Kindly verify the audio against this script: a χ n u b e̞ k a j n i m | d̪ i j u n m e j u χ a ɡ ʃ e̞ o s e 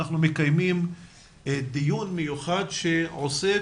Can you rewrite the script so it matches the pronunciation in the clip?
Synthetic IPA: a χ n u m e̞ k a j m i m | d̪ i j u n m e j u χ a d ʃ e̞ o s e